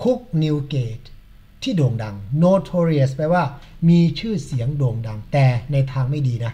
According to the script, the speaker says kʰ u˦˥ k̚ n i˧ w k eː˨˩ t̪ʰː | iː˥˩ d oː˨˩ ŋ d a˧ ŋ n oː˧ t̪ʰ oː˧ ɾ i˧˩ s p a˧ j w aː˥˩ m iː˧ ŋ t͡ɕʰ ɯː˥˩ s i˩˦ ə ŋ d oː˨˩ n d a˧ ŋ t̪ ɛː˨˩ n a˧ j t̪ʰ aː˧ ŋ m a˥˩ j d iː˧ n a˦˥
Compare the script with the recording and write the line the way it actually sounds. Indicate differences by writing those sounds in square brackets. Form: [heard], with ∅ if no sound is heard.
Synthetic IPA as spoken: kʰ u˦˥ k̚ n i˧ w k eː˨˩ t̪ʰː | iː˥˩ d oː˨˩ ŋ d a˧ ŋ n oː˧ t̪ʰ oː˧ ɾ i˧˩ s p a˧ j w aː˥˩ m iː˧ [∅] t͡ɕʰ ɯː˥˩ s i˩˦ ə ŋ d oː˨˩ [ŋ] d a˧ ŋ t̪ ɛː˨˩ n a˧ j t̪ʰ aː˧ ŋ m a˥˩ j d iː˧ n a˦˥